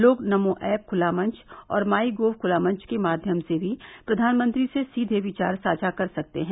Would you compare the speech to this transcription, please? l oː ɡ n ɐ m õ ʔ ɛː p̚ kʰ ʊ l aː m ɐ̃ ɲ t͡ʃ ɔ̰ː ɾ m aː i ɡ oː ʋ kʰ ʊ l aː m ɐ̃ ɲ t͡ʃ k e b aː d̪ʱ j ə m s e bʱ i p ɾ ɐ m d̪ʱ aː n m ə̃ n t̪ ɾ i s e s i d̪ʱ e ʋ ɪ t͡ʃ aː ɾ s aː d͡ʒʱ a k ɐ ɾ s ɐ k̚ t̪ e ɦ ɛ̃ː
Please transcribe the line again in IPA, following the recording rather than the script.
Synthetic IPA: l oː ɡ n ɐ m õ ʔ ɛː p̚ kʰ ʊ l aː m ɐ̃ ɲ t͡ʃ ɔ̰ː ɾ m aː i ɡ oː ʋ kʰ ʊ l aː m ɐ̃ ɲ t͡ʃ k e m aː d̪ʱ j ə m s e bʱ i p ɾ ɐ d̪ʱ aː n m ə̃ n t̪ ɾ i s e s iː d̪ʱ e ʋ ɪ t͡ʃ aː ɾ s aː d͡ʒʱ a k ɐ ɾ s ɐ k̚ t̪ e ɦ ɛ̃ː